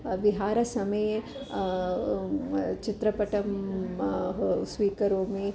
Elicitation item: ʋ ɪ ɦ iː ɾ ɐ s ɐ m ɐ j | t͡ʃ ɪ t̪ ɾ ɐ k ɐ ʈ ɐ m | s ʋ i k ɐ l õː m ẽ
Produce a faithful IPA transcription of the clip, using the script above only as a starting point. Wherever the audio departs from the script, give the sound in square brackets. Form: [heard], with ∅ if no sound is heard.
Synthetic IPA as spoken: ʋ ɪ ɦ [aː] ɾ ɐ s ɐ m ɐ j | t͡ʃ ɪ t̪ ɾ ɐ [p] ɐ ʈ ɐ m | s ʋ [iː] k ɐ [ɾ] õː m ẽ